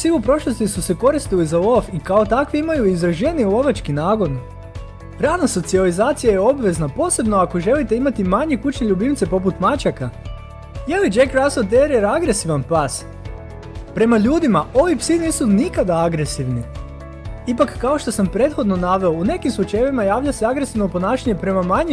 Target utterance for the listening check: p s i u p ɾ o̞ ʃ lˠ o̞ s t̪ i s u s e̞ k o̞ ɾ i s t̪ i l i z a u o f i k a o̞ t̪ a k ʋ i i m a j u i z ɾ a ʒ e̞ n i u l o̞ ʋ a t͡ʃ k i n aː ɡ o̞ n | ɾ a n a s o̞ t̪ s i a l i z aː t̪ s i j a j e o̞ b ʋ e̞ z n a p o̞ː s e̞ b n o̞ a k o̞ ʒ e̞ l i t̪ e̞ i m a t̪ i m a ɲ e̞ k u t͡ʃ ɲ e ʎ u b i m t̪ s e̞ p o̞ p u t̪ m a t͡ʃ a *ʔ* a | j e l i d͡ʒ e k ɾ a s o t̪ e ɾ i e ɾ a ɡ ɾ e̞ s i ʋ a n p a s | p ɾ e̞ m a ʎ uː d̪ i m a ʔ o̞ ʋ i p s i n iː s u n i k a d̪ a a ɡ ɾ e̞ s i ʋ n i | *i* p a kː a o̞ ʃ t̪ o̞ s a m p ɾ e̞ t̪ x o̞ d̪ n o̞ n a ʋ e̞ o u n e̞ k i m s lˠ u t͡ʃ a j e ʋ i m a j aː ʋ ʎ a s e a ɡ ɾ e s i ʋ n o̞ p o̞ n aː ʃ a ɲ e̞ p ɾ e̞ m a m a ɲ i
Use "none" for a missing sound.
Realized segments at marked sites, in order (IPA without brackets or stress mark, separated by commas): k, i